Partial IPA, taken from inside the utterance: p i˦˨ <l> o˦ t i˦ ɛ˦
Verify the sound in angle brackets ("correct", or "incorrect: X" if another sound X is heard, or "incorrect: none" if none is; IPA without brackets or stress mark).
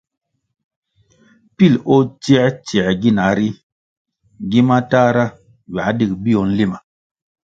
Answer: correct